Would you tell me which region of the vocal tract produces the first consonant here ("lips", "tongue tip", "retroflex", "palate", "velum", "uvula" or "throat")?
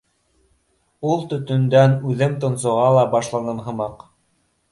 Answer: tongue tip